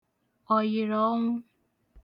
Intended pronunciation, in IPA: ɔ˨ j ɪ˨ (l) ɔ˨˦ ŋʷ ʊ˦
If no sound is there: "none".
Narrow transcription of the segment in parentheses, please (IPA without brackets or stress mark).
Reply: ɾ